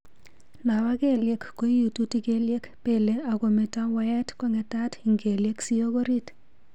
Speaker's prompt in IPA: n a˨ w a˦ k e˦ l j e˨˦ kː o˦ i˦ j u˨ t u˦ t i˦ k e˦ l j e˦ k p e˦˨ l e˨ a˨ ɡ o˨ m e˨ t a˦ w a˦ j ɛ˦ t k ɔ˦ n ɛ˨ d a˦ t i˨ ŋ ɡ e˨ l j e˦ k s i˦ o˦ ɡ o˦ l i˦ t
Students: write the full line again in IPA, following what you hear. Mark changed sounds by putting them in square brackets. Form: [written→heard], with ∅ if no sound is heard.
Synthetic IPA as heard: n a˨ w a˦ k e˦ l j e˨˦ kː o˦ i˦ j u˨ t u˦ t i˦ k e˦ l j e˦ k p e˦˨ l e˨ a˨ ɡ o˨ m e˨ t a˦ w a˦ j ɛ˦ t k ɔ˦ [n→ŋ] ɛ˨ [d→t] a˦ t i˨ ŋ ɡ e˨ l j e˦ k s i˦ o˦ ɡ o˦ [l→ɾ] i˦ t

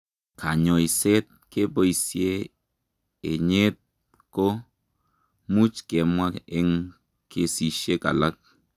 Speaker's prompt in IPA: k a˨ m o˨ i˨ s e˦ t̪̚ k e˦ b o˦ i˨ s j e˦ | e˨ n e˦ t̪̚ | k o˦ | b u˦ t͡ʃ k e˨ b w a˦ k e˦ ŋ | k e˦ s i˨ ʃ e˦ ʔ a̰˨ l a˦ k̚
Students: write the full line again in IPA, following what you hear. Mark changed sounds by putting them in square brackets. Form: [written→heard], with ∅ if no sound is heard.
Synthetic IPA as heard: k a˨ [m→ɲ] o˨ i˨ s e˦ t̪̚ k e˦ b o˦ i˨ s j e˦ | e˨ [n→ɲ] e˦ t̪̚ | k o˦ | [b→m] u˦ t͡ʃ k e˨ [b→m] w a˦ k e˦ ŋ | k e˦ s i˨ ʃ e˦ [ʔ→k] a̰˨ l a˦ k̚

